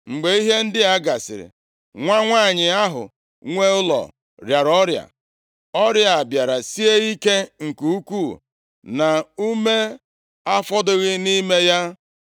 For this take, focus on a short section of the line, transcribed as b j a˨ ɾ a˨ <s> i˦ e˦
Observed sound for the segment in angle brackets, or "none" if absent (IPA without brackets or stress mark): s